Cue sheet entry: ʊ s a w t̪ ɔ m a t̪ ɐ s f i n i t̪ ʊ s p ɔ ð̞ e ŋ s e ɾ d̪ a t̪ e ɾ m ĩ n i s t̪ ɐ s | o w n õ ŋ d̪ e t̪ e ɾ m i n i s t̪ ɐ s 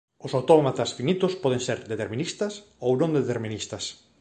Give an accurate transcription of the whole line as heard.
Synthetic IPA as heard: ʊ s a w t̪ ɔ m a t̪ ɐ s f i n i t̪ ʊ s p ɔ ð̞ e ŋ s e ɾ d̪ e t̪ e ɾ m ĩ n i s t̪ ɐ s | o w n õ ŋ d̪ e t̪ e ɾ m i n i s t̪ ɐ s